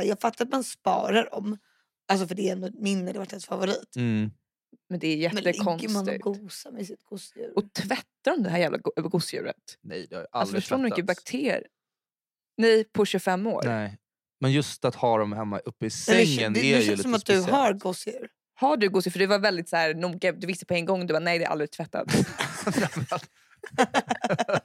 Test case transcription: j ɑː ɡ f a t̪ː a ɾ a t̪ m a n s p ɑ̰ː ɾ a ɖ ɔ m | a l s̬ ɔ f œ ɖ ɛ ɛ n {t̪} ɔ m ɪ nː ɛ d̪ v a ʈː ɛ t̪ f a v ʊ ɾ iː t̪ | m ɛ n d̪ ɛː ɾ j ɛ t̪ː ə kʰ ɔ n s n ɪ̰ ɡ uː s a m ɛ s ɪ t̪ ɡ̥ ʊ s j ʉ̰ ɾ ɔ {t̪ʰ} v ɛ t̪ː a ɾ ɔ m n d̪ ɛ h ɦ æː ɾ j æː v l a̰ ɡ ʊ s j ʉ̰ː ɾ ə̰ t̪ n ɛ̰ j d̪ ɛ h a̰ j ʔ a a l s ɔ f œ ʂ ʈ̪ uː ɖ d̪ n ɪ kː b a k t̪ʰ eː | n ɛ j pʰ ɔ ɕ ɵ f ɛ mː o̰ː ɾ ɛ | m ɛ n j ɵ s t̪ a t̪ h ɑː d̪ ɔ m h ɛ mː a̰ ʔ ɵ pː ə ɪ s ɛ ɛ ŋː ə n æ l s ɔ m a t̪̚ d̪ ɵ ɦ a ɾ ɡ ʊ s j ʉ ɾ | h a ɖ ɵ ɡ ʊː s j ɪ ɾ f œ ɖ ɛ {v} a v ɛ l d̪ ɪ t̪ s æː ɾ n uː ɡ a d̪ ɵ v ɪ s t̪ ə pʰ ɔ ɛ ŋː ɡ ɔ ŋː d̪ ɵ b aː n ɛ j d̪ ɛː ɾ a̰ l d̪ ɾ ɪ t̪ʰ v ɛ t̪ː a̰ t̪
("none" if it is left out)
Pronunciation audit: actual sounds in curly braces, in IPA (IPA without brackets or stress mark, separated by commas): d̪, t̪ʰ, v